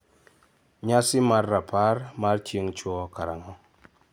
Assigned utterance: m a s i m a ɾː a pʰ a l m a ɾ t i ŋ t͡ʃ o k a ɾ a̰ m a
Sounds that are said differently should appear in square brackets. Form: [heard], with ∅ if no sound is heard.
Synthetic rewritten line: [ɲ] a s i m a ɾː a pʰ a [ɾ] m a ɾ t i ŋ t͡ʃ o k a ɾ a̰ [ŋ] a